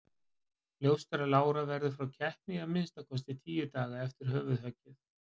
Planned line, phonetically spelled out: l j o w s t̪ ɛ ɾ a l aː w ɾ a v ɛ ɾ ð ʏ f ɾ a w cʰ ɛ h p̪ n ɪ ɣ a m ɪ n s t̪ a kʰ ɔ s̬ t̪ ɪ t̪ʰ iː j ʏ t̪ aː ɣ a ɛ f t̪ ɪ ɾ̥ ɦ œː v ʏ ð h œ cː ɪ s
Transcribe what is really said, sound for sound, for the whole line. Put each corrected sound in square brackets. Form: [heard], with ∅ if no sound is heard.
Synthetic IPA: l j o w s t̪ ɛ ɾ a l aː w ɾ a v ɛ ɾ ð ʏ f ɾ a w cʰ ɛ h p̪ n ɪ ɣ a m ɪ n s t̪ a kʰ ɔ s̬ t̪ ɪ t̪ʰ iː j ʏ t̪ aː ɣ a ɛ f t̪ ɪ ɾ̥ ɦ œː v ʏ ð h œ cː ɪ [θ]